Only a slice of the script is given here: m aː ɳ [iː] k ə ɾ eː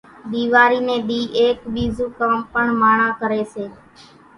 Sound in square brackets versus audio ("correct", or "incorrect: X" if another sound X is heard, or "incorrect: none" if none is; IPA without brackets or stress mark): incorrect: aː